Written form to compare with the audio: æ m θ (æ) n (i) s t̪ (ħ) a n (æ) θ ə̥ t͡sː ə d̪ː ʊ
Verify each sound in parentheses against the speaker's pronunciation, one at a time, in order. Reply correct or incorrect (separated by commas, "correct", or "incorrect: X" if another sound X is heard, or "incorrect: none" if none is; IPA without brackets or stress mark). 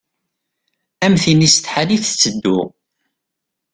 incorrect: i, correct, correct, incorrect: i